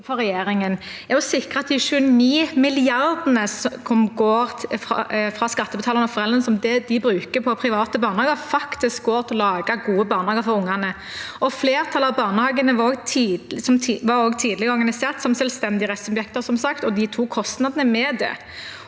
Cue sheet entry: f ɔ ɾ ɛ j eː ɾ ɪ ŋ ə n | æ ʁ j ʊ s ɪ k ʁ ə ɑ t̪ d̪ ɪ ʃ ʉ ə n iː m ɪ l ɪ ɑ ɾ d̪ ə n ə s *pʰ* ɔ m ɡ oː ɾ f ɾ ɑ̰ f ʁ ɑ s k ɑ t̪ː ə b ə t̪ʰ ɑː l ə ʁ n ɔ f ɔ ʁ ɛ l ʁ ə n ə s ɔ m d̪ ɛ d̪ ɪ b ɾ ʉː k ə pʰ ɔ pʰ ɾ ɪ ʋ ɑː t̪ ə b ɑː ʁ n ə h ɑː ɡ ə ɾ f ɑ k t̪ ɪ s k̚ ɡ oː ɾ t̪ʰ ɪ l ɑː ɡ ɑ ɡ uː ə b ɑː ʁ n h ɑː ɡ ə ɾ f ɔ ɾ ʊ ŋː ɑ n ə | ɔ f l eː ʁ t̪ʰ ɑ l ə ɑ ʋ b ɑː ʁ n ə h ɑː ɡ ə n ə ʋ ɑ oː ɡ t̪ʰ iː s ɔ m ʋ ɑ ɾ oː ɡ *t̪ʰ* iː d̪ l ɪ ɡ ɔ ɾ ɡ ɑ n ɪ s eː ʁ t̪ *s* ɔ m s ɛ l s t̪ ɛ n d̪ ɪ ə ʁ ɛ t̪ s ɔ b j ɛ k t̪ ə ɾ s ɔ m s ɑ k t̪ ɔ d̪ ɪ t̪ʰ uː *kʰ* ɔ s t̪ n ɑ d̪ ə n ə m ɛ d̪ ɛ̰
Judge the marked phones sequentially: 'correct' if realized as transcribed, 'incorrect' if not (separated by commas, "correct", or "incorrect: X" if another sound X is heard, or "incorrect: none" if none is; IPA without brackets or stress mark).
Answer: incorrect: kʰ, correct, correct, correct